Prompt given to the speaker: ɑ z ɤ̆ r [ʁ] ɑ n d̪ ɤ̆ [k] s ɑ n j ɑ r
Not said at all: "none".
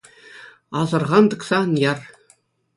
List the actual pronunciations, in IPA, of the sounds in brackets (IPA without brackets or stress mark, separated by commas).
ʁ, k